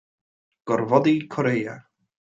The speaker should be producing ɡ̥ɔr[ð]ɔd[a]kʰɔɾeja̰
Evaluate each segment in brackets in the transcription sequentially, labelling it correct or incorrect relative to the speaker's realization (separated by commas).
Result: incorrect, incorrect